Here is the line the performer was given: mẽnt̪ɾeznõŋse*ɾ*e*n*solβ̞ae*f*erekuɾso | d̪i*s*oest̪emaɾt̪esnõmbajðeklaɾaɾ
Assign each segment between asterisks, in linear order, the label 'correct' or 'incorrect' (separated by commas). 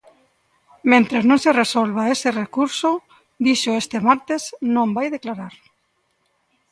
incorrect, incorrect, incorrect, incorrect